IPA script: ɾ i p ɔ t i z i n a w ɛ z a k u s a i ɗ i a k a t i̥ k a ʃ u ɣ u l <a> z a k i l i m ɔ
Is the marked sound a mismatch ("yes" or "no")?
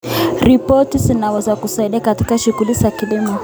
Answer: yes